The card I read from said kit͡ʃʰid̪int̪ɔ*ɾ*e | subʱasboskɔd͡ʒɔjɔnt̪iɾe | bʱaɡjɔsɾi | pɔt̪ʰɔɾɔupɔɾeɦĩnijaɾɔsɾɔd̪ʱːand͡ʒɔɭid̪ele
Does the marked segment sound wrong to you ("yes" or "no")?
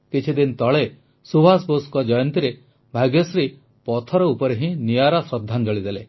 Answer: yes